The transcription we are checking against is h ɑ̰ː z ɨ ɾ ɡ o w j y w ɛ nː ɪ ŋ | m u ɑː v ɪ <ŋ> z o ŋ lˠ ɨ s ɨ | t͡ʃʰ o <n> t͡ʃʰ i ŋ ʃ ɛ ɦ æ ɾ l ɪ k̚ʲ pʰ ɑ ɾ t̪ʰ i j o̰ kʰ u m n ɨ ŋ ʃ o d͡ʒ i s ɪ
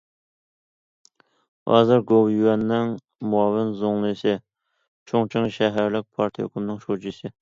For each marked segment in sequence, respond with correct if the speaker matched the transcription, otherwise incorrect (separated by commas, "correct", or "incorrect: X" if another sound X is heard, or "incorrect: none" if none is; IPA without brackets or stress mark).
incorrect: n, incorrect: ŋ